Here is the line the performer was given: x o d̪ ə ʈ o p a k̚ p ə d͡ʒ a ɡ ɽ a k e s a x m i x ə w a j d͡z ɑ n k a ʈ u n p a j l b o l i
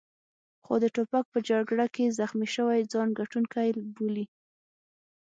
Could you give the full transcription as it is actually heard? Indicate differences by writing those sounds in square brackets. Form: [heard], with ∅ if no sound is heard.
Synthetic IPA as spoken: x o d̪ ə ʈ o p a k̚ p ə d͡ʒ a ɡ ɽ a k e [z] a x m i [ʃ] ə w a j d͡z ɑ n [ɡ] a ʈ u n [k] a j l b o l i